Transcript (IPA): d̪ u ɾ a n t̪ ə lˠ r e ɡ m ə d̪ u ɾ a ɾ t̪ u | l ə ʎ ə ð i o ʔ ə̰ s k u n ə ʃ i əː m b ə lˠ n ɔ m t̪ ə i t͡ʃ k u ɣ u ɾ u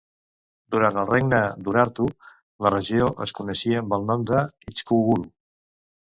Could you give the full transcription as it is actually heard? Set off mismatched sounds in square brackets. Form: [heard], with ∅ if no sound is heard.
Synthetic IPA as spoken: d̪ u ɾ a n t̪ ə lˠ r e ɡ [n] ə d̪ u ɾ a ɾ t̪ u | l ə [r] ə [ʒ] i o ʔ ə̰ s k u n ə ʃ i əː m b ə lˠ n ɔ m [d̪] ə i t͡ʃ k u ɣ u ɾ u